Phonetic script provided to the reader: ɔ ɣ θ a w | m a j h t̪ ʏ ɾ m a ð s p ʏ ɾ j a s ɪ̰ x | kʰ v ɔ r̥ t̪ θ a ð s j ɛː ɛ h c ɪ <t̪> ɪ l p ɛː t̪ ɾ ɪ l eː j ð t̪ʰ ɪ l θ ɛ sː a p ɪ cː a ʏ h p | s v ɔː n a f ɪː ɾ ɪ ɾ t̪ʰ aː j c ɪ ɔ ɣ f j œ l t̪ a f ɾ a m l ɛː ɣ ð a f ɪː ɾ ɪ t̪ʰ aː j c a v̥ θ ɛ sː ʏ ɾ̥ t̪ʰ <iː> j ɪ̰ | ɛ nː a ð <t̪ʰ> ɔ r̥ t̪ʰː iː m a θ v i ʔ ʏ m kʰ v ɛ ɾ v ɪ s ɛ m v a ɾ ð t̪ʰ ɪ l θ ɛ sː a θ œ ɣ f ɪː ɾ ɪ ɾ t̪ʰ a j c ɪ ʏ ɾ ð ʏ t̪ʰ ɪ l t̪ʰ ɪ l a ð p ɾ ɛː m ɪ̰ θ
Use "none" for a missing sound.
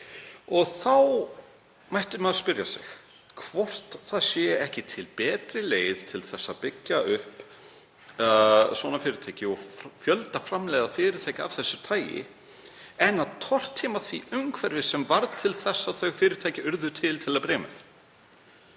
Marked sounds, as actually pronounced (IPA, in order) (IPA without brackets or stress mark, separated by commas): t̪ʰ, aː, t̪ʰ